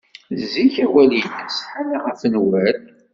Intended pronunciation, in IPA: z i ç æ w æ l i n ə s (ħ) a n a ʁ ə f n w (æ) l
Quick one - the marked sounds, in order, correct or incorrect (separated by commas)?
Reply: correct, correct